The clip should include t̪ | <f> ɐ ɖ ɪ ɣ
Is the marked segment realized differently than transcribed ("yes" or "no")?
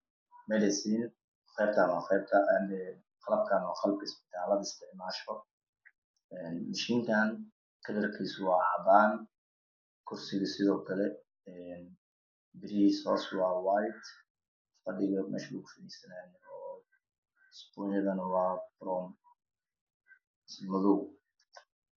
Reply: no